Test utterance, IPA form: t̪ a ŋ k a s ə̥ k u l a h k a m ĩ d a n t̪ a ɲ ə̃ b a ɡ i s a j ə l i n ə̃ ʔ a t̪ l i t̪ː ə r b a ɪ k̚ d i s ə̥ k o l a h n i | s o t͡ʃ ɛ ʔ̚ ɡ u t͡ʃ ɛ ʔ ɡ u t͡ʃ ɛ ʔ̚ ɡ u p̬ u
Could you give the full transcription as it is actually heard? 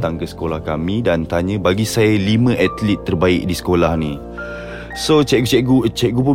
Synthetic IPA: t̪ a ŋ k ə s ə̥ k o l a h k a m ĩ d a n t̪ a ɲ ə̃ b a ɡ i s a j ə l i m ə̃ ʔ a t̪ l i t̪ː ə r b a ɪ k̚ d i s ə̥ k o l a h n i | s o t͡ʃ ɛ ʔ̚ ɡ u t͡ʃ ɛ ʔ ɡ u t͡ʃ ɛ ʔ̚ ɡ u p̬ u